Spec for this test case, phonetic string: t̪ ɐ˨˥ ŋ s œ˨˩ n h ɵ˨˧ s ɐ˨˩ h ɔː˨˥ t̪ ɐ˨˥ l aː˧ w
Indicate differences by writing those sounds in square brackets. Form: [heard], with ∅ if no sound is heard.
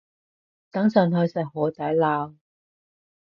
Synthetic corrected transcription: t̪ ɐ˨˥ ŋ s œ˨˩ n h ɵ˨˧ s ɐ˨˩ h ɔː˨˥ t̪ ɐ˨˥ l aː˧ w